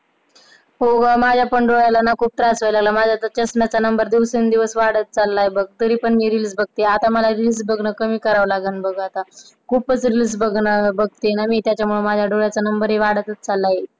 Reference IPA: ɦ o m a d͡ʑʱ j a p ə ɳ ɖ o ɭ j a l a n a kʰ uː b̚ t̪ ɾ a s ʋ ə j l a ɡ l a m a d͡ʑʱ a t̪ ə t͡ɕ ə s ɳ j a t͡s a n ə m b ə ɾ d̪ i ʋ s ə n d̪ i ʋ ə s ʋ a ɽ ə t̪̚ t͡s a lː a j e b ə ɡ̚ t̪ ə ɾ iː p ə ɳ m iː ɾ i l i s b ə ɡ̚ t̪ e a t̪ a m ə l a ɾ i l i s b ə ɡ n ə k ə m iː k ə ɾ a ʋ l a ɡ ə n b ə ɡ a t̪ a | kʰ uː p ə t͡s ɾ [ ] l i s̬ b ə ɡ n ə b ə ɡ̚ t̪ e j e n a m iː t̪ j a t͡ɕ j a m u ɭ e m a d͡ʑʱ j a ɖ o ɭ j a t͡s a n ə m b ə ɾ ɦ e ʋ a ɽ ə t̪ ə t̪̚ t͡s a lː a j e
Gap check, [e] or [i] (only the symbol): i